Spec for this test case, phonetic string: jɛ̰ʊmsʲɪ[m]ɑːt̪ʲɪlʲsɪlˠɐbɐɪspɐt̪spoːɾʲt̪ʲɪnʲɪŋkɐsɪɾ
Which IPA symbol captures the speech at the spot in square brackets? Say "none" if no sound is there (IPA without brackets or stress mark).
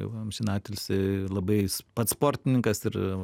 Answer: n